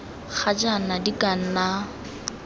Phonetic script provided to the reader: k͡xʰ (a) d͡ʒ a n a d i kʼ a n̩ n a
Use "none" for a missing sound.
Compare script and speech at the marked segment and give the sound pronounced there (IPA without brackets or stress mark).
a